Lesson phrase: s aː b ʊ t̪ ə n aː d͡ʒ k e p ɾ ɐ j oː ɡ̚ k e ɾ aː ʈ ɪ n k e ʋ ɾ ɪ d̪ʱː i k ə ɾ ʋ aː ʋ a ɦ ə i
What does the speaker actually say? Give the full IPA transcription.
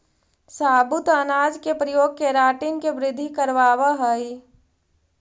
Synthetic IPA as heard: s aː b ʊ t̪ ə n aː d͡ʒ k e p ɾ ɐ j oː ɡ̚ k e ɾ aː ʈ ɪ n k e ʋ ɾ ɪ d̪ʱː i k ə ɾ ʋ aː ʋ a ɦ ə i